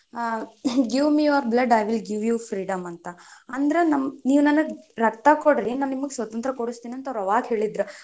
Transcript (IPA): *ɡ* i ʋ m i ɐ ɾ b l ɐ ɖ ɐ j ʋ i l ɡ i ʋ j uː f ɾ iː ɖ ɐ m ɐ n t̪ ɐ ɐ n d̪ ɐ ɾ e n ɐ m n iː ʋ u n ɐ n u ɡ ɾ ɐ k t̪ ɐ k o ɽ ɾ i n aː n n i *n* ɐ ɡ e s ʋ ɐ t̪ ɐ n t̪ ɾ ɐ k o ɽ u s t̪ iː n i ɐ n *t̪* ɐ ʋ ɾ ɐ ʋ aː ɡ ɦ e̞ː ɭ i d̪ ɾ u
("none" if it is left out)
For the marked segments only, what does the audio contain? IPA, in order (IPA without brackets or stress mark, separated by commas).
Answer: ɡ, m, t̪